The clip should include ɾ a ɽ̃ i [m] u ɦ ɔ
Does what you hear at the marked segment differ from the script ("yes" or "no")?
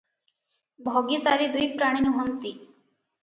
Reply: yes